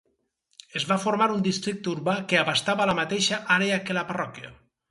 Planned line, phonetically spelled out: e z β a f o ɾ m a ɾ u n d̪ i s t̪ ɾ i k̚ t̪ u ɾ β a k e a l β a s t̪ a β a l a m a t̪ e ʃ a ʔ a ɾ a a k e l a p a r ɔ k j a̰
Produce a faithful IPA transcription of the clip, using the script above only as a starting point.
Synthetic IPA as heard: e z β a f o ɾ m a ɾ u n d̪ i s t̪ ɾ i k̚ t̪ u ɾ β a k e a β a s t̪ a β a l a m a t̪ e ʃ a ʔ a ɾ e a k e l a p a r ɔ k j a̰